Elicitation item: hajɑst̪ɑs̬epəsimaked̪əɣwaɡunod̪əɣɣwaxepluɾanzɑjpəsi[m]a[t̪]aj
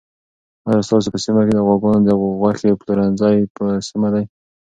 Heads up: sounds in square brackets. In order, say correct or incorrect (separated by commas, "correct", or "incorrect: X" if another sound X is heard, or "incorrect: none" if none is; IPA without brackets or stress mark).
correct, incorrect: d̪